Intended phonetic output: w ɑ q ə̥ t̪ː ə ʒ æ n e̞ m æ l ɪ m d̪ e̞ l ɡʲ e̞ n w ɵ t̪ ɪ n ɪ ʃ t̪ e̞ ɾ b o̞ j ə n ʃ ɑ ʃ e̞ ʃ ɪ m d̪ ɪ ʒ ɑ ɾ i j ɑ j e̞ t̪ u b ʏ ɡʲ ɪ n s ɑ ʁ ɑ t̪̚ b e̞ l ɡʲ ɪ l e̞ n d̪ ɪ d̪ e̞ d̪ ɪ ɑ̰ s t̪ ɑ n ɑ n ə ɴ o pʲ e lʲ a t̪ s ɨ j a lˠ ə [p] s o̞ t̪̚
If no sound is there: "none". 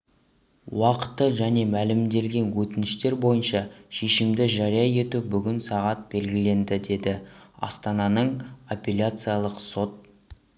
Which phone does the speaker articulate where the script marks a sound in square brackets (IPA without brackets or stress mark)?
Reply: q